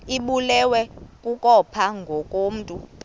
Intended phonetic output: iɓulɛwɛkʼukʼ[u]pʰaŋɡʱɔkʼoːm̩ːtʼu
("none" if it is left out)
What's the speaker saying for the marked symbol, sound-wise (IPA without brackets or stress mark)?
ɔ